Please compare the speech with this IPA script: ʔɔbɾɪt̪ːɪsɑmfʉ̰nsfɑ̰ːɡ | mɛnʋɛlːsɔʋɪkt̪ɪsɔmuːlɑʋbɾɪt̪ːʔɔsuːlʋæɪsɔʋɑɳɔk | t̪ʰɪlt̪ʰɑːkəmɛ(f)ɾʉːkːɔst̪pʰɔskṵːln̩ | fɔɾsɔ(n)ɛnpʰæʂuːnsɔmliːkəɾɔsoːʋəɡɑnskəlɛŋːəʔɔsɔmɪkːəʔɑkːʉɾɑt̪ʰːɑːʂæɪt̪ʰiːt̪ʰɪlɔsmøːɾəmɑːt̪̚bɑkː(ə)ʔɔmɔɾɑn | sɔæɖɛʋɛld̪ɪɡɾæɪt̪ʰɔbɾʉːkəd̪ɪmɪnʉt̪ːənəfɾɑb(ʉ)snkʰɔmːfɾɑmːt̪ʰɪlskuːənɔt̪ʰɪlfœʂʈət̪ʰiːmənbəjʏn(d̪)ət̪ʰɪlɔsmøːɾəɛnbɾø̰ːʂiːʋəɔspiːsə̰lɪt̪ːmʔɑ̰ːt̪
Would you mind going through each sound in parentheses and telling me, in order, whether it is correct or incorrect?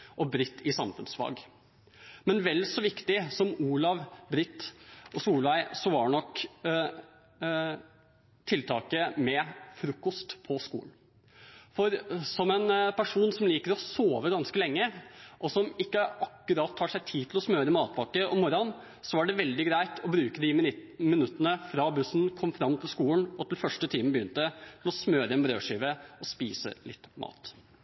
correct, incorrect, correct, correct, incorrect

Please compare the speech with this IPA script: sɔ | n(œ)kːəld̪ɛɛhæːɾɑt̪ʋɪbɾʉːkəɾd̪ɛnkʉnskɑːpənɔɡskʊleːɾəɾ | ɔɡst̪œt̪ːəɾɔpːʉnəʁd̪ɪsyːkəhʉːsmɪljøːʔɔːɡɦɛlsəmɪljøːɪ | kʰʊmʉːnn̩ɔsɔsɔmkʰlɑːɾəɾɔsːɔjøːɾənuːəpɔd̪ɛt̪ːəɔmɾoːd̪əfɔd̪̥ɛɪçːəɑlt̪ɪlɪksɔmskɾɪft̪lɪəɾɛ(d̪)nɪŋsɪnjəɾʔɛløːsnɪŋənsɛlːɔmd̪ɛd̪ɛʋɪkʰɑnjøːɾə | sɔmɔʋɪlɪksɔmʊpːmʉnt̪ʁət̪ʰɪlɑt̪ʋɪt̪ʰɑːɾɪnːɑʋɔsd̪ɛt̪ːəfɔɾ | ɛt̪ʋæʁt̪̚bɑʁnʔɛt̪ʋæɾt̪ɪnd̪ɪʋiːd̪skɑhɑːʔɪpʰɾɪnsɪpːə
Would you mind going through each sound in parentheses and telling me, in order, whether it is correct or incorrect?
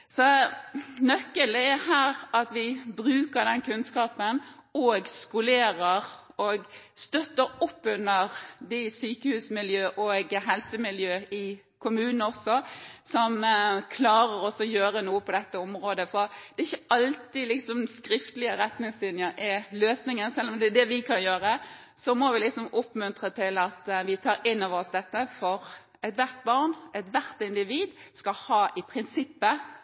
correct, incorrect

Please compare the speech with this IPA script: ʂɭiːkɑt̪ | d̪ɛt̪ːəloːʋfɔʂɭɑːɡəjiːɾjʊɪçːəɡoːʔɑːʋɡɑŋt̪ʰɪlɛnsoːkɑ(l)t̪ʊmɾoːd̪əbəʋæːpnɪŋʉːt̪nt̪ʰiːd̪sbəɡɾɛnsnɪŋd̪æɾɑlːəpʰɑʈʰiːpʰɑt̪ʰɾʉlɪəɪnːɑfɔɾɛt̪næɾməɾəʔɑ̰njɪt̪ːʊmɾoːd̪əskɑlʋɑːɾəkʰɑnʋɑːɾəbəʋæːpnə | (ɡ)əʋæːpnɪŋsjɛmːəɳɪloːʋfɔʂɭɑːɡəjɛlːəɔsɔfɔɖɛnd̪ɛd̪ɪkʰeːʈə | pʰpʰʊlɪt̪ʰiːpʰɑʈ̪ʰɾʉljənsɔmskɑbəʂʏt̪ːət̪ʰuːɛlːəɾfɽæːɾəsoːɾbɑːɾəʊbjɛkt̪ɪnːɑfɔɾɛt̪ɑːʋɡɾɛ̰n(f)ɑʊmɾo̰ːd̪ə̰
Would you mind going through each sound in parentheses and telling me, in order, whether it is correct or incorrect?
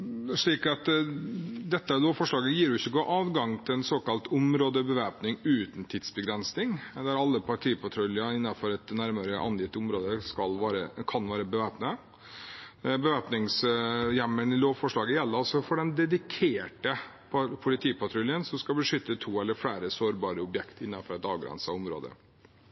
correct, incorrect, incorrect

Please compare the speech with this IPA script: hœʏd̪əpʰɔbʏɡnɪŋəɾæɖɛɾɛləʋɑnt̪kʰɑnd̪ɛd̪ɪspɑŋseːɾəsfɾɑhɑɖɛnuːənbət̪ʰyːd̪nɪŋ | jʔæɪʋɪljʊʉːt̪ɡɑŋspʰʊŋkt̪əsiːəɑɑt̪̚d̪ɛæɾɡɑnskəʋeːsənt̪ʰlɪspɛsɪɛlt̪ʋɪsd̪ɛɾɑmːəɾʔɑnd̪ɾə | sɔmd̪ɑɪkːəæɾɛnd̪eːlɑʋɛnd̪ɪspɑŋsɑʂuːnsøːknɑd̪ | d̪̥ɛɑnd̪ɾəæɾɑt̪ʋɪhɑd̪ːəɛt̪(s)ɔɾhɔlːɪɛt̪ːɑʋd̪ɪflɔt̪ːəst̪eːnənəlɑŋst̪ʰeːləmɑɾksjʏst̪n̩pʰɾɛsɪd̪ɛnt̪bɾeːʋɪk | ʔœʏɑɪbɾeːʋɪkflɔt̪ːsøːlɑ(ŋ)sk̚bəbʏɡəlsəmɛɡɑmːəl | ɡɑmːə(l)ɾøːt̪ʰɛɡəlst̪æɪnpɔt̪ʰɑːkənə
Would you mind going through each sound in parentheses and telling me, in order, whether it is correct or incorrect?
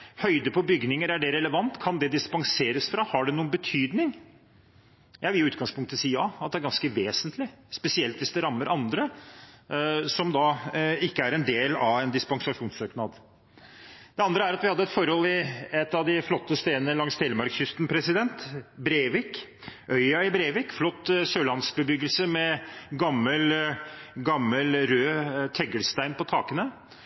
incorrect, incorrect, correct

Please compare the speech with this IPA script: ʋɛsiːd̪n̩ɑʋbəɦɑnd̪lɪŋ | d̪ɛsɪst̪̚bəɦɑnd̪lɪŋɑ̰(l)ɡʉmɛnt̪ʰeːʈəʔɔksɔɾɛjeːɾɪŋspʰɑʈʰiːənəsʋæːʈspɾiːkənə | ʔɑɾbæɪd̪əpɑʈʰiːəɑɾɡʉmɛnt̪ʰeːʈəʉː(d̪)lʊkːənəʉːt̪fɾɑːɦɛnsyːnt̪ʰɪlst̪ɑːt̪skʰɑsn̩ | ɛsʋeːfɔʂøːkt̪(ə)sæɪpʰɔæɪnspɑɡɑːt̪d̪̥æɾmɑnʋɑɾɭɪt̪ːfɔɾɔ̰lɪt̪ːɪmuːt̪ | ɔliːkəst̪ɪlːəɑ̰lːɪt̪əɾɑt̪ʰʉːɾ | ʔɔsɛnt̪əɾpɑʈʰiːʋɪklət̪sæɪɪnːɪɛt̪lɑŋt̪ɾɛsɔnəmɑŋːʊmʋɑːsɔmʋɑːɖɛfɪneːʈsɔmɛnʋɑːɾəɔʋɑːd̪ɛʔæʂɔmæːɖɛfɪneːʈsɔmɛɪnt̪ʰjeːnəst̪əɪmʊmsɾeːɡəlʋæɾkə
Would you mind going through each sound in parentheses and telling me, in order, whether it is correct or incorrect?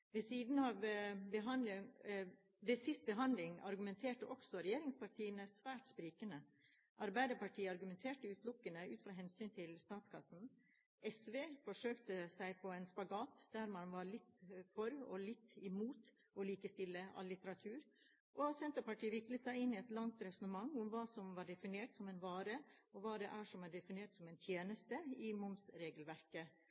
incorrect, incorrect, correct

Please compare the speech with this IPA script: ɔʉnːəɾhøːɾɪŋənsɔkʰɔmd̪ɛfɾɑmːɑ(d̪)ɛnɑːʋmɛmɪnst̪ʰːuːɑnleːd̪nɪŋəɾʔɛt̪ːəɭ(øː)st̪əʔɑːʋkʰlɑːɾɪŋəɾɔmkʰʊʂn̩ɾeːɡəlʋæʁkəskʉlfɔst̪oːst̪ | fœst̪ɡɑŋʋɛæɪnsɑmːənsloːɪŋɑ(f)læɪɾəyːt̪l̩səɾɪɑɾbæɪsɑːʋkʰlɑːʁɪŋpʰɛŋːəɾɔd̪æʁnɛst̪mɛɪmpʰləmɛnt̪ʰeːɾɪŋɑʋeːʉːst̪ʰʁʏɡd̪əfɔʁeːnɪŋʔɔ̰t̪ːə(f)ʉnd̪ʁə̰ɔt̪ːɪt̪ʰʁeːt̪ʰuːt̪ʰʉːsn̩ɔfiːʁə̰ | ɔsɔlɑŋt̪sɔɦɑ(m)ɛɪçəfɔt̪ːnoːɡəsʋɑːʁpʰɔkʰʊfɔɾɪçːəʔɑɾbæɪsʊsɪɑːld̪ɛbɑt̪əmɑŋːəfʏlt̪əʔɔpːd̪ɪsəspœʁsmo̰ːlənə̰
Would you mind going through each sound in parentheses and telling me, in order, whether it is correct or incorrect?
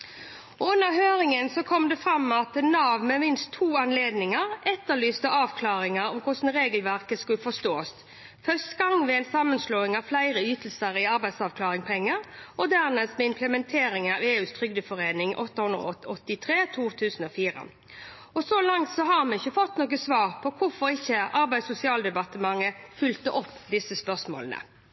incorrect, incorrect, correct, incorrect, correct

